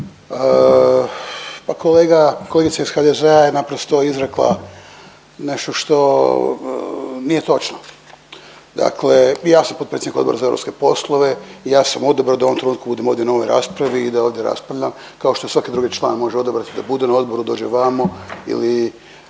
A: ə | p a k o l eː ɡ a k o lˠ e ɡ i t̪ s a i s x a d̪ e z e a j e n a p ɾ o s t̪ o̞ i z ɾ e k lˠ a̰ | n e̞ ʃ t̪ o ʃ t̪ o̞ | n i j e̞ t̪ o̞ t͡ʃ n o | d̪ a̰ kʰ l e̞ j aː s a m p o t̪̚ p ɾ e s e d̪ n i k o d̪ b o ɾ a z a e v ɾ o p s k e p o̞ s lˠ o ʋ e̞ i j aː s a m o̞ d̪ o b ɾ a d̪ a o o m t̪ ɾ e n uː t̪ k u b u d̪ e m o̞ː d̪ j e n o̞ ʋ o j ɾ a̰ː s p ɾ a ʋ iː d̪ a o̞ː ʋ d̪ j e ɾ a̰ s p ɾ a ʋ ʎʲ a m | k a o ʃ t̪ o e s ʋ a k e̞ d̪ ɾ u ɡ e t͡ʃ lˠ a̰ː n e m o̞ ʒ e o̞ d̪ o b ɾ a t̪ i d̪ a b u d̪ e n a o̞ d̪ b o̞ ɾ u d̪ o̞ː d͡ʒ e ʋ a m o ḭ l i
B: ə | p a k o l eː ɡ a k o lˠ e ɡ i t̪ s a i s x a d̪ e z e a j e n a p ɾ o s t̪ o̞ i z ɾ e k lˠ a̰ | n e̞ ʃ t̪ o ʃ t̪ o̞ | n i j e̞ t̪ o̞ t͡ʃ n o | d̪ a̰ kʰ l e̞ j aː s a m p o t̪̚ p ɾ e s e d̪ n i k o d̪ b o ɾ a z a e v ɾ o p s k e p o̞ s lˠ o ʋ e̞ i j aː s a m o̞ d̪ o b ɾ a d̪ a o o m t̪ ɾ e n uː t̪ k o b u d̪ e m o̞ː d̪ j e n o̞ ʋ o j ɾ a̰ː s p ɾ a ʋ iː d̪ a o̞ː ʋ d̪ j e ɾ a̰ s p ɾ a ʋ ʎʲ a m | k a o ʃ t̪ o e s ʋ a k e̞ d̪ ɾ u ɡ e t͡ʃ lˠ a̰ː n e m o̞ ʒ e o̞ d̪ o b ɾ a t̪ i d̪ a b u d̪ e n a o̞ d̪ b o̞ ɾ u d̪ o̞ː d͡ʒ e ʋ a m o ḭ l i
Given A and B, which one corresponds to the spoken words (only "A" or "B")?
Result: A